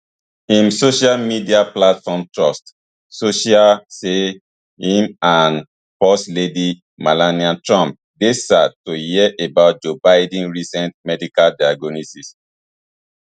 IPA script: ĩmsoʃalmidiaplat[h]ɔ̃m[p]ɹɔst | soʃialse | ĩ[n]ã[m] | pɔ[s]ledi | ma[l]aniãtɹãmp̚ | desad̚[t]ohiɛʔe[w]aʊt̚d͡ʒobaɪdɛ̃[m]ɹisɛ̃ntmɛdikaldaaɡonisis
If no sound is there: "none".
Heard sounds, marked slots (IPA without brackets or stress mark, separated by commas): f, t, m, n, s, l, t, b, n